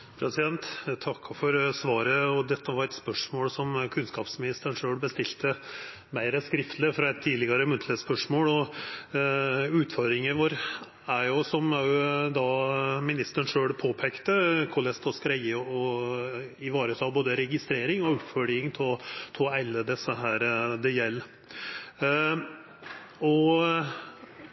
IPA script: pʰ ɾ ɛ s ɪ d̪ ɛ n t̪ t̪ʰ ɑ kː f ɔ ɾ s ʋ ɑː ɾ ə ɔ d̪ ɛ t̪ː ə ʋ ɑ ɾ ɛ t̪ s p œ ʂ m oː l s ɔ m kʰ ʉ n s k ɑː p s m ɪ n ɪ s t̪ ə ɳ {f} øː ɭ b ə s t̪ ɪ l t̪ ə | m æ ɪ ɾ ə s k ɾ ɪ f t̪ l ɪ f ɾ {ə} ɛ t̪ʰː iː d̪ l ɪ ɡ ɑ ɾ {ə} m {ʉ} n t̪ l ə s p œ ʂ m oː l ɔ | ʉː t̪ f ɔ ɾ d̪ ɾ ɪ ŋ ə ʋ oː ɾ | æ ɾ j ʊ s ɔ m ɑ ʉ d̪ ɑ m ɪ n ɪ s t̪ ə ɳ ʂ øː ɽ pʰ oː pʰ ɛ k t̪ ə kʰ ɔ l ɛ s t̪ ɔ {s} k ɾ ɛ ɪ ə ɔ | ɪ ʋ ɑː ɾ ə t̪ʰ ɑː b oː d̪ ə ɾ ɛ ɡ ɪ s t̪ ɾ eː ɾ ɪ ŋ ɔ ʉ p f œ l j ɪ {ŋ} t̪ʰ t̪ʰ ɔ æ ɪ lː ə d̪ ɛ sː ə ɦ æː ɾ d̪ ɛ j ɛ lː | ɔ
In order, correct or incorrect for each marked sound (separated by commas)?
incorrect, incorrect, correct, correct, correct, correct